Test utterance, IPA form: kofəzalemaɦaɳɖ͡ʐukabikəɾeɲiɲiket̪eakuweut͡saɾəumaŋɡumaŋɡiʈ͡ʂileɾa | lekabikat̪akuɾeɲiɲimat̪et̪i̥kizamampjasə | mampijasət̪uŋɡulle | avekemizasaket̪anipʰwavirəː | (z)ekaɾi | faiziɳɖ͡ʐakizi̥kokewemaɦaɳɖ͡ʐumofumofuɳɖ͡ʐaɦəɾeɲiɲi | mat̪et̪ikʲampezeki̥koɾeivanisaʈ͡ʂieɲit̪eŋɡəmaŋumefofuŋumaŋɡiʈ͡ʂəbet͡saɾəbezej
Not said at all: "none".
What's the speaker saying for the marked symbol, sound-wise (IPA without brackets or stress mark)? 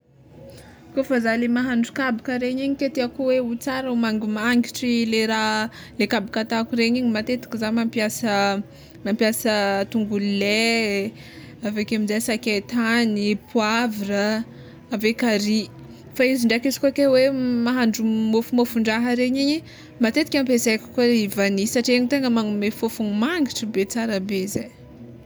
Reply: v